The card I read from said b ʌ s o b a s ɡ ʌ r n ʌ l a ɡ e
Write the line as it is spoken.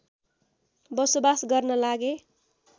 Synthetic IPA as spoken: b ʌ s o b a s ɡ ʌ r n ʌ l a ɡ e